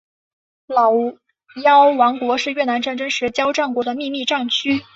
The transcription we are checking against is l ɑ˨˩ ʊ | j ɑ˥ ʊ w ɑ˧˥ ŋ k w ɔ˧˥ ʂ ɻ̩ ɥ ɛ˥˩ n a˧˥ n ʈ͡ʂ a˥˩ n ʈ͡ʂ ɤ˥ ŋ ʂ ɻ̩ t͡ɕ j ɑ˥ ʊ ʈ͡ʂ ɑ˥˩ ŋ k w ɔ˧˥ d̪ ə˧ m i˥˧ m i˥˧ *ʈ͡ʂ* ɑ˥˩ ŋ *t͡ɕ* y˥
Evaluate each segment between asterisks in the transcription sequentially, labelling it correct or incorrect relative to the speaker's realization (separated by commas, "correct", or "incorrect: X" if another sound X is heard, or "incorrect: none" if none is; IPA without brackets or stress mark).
correct, incorrect: t͡ɕʰ